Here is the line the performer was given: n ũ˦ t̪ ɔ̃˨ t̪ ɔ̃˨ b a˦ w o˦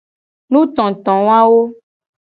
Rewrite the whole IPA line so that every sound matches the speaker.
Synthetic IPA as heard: n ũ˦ t̪ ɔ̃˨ t̪ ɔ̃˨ w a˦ w o˦